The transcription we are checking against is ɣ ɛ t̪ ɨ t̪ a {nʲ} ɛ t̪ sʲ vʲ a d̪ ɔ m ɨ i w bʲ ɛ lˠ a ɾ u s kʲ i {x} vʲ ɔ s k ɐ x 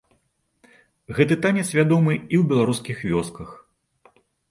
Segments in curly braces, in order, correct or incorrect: correct, correct

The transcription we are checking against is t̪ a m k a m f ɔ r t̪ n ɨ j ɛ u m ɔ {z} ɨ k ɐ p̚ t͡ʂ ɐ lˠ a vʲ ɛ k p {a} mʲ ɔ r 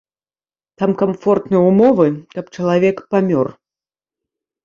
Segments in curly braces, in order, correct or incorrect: incorrect: v, correct

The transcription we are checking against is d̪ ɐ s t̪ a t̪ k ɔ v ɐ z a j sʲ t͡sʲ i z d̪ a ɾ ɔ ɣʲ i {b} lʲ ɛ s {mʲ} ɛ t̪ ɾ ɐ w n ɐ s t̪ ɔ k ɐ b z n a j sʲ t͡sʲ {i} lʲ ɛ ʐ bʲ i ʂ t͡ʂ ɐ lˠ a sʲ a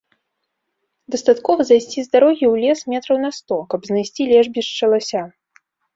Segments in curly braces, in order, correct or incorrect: incorrect: w, correct, correct

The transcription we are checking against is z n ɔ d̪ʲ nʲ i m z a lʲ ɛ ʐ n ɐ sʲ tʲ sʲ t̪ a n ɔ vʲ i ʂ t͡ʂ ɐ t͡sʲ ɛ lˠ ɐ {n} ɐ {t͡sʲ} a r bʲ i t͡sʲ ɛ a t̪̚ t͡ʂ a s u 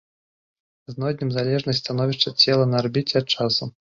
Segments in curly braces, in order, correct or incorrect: correct, incorrect: none

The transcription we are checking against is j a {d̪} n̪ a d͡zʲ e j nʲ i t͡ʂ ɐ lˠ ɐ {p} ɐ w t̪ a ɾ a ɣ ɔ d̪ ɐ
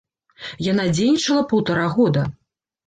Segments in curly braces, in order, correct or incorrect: incorrect: none, correct

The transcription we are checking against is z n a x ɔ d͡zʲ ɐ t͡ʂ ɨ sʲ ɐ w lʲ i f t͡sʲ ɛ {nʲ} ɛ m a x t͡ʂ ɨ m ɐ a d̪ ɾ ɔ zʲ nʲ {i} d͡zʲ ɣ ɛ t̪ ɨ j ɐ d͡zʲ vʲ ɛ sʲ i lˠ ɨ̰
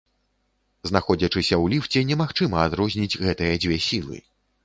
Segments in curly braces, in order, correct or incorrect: correct, correct

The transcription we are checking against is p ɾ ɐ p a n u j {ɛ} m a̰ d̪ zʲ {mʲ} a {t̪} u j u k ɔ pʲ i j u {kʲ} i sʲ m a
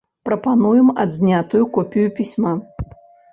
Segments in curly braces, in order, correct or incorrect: correct, incorrect: nʲ, correct, incorrect: pʲ

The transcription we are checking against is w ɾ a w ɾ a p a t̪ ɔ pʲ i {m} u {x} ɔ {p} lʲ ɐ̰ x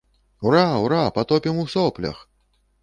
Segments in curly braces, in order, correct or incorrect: correct, incorrect: s, correct

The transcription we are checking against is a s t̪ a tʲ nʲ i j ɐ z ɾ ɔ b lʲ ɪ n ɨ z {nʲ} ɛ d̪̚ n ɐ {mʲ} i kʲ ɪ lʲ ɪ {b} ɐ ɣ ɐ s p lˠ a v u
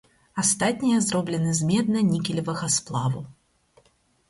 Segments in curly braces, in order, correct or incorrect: incorrect: mʲ, incorrect: nʲ, incorrect: v

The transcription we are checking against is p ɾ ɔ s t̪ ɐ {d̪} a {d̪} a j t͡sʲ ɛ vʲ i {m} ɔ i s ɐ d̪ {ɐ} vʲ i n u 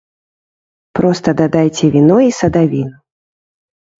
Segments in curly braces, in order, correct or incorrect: correct, correct, incorrect: n, incorrect: a

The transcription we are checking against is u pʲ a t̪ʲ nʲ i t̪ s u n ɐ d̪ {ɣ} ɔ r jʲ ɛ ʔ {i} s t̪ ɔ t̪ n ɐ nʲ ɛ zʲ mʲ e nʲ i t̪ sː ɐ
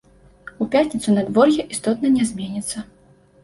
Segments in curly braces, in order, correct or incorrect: incorrect: v, correct

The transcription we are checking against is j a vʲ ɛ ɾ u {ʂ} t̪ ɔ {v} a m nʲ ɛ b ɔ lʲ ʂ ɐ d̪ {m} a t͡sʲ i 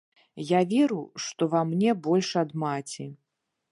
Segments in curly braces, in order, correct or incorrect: correct, correct, correct

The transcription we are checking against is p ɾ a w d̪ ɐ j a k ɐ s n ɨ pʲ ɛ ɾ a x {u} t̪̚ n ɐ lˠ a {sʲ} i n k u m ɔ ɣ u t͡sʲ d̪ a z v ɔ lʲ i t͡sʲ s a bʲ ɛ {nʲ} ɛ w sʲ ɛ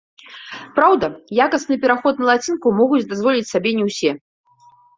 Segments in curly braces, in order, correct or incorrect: incorrect: ɔ, incorrect: t͡sʲ, correct

